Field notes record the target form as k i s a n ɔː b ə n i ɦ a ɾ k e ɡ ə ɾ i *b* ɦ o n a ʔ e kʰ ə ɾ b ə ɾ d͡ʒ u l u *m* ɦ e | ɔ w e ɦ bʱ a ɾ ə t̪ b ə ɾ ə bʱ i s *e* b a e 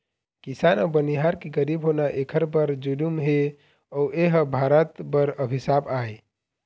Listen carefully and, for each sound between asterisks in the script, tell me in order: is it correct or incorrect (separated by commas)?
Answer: correct, correct, incorrect